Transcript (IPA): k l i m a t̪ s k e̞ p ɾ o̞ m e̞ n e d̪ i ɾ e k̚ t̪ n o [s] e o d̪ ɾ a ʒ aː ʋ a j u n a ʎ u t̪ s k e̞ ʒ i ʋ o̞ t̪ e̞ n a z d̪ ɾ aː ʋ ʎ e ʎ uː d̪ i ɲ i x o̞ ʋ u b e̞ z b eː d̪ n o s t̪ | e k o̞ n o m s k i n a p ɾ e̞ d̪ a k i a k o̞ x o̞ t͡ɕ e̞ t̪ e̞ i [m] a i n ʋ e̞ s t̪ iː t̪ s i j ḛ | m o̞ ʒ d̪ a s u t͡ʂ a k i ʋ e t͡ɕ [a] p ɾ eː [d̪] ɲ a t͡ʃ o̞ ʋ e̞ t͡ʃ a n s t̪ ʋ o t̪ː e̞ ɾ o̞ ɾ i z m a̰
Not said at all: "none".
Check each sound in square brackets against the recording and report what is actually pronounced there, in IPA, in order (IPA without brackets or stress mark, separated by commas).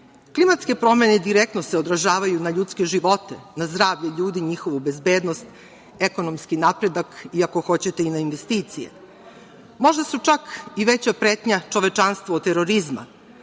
s, n, a, t̪